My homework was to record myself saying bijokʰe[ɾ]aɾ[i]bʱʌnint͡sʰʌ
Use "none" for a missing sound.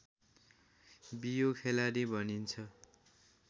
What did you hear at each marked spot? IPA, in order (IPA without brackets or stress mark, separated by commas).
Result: l, i